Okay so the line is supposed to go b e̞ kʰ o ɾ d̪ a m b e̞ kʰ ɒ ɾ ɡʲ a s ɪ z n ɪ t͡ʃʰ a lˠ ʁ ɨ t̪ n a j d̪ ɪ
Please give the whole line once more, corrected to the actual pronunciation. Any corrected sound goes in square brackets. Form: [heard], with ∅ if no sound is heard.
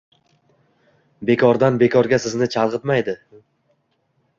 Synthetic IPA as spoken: b e̞ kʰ [ɒ] ɾ d̪ a [n] b e̞ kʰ ɒ ɾ ɡʲ a s ɪ z n ɪ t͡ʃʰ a lˠ ʁ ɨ t̪ [m] a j d̪ ɪ